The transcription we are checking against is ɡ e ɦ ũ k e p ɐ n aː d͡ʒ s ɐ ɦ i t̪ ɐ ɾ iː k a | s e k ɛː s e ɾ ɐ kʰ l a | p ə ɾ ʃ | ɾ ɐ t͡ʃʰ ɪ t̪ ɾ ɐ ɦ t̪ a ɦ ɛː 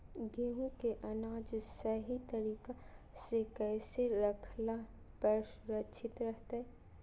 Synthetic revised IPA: ɡ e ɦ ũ k e ʔ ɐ n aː d͡ʒ s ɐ ɦ i t̪ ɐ ɾ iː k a | s e k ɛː s e ɾ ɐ kʰ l a | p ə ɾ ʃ | ɾ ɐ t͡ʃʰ ɪ t̪ ɾ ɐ ɦ t̪ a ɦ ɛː